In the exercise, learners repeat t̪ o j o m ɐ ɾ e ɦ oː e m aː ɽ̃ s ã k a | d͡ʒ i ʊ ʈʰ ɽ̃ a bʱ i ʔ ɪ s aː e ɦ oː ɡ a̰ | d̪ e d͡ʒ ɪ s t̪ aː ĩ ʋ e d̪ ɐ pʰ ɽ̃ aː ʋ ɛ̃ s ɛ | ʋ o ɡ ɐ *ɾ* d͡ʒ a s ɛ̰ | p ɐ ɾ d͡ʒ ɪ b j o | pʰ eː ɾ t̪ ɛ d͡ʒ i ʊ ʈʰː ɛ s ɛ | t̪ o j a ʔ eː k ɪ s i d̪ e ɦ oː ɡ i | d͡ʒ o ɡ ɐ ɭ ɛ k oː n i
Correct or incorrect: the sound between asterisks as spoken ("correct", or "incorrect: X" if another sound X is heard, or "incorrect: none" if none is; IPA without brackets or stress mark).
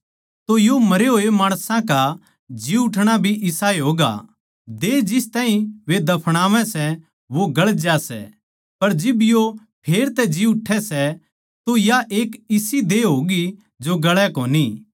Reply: incorrect: ɭ